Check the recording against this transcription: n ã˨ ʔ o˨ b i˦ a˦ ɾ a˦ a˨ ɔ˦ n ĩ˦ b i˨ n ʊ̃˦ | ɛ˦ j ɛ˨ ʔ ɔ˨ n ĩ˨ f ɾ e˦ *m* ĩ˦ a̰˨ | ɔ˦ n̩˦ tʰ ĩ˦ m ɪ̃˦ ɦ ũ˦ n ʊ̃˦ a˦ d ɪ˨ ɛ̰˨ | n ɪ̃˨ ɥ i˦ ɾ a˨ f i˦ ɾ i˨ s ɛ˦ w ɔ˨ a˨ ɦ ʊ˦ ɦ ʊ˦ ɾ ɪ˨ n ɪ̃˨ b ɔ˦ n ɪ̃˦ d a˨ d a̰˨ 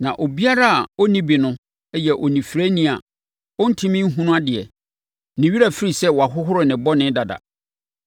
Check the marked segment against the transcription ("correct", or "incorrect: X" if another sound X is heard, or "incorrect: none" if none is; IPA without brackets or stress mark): incorrect: n